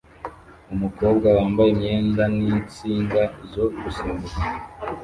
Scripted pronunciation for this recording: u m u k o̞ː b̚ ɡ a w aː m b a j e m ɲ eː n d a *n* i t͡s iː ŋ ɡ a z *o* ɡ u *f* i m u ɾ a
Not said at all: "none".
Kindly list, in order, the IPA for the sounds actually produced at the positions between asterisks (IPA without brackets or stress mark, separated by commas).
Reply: n, o, s